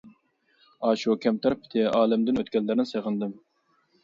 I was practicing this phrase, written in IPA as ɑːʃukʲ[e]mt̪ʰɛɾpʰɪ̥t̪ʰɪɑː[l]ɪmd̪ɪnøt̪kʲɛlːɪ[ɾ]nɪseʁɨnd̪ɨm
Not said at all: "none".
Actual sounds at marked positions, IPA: ɛ, l, ɾ

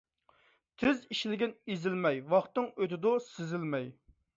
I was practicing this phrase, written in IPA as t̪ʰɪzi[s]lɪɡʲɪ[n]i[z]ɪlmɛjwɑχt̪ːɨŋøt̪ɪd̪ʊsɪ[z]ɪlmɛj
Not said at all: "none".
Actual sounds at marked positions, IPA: ʃ, n, z, z

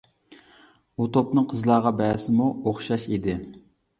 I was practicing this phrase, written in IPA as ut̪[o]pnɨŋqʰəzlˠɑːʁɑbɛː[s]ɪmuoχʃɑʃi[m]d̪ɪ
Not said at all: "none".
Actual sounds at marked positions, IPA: o, s, none

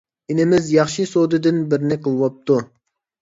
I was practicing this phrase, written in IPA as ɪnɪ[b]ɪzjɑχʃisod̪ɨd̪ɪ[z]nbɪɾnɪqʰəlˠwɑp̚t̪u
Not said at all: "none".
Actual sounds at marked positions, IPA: m, none

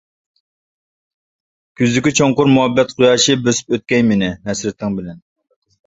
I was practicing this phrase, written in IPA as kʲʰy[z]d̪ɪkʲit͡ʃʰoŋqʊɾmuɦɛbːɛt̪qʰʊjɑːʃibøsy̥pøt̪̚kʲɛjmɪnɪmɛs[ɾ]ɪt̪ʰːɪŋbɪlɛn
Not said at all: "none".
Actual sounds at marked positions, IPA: z, ɾ

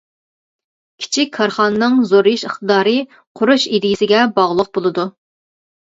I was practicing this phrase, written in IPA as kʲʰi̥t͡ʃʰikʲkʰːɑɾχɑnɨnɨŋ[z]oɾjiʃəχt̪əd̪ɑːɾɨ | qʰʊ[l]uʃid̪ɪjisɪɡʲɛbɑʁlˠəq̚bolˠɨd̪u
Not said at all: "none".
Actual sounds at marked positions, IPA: z, ɾ

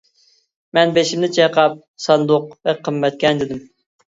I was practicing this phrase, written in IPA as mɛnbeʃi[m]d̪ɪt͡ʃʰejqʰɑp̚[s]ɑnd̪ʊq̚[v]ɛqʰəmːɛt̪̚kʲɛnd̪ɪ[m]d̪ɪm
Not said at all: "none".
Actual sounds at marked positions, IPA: m, s, v, none

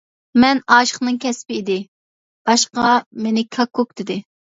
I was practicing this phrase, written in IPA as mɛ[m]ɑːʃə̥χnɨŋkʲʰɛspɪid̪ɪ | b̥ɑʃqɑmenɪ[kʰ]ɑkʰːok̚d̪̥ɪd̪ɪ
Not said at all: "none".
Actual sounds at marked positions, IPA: n, kʰ

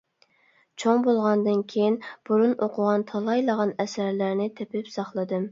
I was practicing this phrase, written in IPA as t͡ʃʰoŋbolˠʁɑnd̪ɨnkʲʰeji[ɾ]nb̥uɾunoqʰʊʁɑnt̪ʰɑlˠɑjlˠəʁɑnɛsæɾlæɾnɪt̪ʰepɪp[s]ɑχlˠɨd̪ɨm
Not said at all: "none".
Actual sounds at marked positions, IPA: none, s

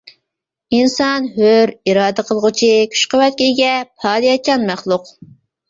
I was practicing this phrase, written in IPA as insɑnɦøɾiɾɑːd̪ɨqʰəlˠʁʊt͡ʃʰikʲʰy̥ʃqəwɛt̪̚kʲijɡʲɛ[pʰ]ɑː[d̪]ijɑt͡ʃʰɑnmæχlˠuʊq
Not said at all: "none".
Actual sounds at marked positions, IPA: pʰ, d̪

